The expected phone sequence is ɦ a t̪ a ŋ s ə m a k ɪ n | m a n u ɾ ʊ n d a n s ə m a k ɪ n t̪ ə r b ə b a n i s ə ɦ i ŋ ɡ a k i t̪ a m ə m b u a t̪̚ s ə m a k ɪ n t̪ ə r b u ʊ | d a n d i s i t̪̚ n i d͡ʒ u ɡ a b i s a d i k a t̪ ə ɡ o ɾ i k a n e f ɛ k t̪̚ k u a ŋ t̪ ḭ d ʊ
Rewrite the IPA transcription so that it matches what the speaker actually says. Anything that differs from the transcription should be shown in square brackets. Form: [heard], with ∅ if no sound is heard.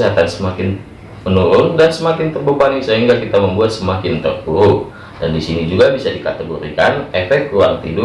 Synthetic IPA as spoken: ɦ a t̪ a [n] s ə m a k ɪ n | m [ə] n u ɾ ʊ n d a n s ə m a k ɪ n t̪ ə r b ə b a n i s ə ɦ i ŋ ɡ a k i t̪ a m ə m b u a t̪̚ s ə m a k ɪ n t̪ ə r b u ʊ | d a n d i s i [∅] n i d͡ʒ u ɡ a b i s a d i k a t̪ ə ɡ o ɾ i k a n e f ɛ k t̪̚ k u a ŋ t̪ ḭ d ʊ